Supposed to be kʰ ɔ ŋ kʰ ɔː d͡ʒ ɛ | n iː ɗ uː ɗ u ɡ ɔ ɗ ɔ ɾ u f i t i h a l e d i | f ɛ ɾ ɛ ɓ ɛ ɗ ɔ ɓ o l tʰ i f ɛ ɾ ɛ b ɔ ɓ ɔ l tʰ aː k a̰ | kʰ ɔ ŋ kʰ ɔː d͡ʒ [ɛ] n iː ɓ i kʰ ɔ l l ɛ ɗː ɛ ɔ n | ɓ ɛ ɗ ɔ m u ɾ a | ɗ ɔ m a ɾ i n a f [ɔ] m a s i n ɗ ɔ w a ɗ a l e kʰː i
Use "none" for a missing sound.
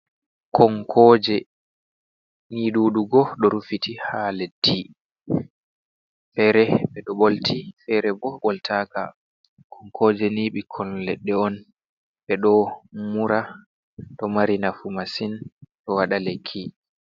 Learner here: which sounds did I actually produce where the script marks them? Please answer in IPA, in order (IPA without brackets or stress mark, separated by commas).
ɛ, u